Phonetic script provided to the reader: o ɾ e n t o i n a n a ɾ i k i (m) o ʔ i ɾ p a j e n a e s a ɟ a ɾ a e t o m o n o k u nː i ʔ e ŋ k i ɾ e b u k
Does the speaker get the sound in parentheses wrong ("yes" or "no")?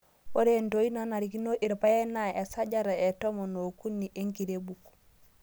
yes